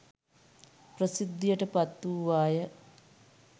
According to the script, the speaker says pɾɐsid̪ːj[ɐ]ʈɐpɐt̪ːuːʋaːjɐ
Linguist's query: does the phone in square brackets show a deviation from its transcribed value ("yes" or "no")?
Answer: no